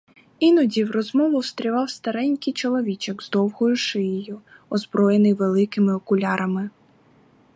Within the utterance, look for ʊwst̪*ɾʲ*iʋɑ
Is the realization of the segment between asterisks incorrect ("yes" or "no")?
no